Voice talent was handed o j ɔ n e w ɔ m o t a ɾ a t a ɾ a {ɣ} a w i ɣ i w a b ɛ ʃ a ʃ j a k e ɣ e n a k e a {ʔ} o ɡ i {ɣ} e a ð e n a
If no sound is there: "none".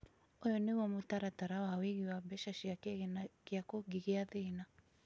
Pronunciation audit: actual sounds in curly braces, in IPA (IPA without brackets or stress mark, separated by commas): w, k, ɣ